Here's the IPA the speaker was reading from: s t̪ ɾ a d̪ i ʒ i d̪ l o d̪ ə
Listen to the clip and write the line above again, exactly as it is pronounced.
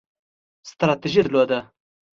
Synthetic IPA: s t̪ ɾ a t̪ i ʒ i d̪ l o d̪ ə